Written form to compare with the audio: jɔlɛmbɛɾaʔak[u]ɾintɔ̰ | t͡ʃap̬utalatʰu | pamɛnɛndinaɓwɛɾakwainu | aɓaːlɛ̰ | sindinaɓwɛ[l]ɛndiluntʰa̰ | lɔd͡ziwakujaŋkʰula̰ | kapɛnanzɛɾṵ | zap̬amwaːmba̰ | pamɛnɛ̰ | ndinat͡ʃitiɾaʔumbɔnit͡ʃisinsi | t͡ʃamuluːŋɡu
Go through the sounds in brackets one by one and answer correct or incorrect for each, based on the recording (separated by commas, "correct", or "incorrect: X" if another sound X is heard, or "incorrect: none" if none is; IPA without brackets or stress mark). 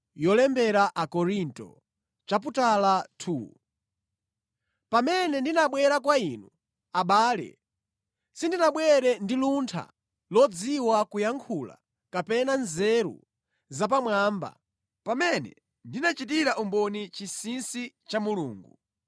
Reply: incorrect: ɔ, incorrect: ɾ